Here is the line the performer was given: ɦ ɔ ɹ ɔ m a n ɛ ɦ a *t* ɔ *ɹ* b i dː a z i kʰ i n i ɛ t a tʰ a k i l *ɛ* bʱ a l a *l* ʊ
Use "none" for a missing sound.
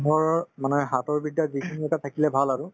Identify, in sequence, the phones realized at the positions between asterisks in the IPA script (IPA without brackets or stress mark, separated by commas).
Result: t, ɹ, ɛ, ɹ